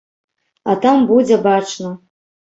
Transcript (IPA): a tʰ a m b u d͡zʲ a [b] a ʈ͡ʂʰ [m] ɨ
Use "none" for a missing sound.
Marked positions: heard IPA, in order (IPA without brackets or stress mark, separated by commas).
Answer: b, n